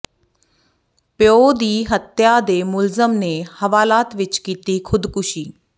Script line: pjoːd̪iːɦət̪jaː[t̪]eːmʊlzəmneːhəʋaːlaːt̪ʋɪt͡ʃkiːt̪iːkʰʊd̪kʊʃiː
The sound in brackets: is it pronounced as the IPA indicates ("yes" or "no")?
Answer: no